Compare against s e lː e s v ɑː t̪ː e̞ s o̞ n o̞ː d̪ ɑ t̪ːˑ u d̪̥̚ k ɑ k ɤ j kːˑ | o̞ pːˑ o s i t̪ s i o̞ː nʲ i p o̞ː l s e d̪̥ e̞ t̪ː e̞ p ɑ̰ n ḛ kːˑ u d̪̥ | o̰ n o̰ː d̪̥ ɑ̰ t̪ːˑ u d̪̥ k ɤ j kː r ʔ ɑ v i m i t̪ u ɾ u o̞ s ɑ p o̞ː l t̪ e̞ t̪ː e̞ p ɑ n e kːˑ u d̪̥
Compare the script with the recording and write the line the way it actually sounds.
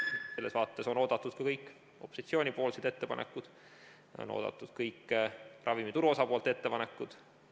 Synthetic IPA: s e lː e s v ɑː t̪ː e̞ s o̞ n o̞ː d̪ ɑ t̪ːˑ u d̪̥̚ k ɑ k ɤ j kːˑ | o̞ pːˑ o s i t̪ s i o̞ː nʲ i p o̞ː l s e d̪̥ e̞ t̪ː e̞ p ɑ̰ n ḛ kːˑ u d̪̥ | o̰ n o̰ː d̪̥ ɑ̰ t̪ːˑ u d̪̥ k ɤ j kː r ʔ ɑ v i m i t̪ u ɾ u o̞ s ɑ p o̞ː l t̪ e̞ t̪ː e̞ p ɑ n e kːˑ u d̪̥